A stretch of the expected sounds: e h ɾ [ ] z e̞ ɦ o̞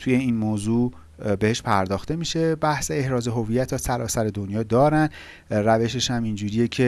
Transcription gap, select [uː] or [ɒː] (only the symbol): ɒː